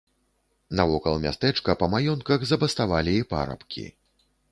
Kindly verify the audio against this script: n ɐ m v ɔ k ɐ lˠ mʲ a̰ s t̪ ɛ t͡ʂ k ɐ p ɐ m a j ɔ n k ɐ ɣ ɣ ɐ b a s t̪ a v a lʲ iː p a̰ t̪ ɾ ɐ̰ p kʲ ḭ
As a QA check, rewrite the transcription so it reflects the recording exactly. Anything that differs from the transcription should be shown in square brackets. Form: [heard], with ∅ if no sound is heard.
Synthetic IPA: n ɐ [∅] v ɔ k ɐ lˠ mʲ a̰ s t̪ ɛ t͡ʂ k ɐ p ɐ m a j ɔ n k ɐ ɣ [z] ɐ b [ɐ] s t̪ a v a lʲ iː p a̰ [∅] ɾ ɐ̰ p kʲ ḭ